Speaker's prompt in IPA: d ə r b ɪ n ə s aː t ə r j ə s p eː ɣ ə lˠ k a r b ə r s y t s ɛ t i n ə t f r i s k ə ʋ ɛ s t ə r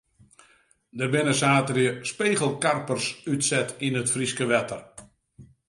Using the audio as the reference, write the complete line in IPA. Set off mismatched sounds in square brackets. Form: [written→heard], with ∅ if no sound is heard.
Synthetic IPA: d ə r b ɪ n ə s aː t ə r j ə s p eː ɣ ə lˠ k a r [b→p] ə r s y t s ɛ t i n ə t f r i s k ə ʋ ɛ [s→∅] t ə r